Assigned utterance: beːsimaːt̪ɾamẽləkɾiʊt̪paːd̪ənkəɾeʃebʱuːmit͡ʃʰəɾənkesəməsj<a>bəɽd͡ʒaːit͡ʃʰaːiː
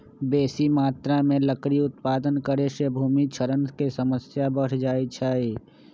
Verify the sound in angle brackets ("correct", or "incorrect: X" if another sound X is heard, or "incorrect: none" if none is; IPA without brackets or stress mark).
correct